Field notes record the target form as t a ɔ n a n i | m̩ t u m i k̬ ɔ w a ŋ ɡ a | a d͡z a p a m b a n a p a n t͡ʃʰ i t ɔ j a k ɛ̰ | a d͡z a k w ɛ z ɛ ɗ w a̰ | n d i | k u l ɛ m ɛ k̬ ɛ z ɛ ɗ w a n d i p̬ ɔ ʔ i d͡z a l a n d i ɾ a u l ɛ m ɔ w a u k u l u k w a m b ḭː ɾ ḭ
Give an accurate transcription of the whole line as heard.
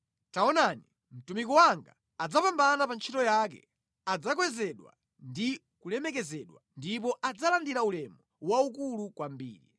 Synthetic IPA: t a ɔ n a n i | m̩ t u m i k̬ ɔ w a ŋ ɡ a | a d͡z a p a m b a n a p a n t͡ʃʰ i t ɔ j a k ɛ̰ | a d͡z a k w ɛ z ɛ ɗ w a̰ | n d i | k u l ɛ m ɛ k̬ ɛ z ɛ ɗ w a n d i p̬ ɔ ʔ a d͡z a l a n d i ɾ a u l ɛ m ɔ w a u k u l u k w a m b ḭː ɾ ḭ